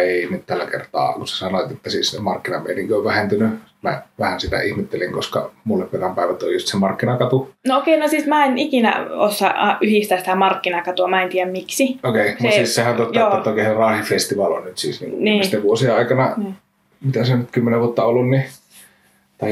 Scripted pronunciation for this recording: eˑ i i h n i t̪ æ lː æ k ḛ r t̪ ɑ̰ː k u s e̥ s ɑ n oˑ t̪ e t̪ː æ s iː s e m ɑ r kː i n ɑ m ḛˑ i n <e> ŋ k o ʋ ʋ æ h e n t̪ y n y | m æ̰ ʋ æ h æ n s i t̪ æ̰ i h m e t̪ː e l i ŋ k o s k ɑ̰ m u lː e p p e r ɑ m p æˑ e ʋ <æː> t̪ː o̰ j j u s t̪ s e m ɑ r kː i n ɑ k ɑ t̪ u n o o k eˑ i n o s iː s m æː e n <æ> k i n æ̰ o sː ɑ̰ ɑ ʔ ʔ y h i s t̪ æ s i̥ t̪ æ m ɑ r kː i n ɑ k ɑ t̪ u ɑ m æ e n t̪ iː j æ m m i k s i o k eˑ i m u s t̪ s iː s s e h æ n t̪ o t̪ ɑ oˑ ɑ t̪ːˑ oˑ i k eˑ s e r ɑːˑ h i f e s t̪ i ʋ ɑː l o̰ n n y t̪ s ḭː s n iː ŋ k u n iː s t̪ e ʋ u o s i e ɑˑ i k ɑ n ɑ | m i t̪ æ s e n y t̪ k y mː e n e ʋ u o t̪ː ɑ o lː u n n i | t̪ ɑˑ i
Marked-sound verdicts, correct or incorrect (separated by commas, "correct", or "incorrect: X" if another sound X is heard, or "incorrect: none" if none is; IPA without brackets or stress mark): incorrect: i, incorrect: æ, incorrect: i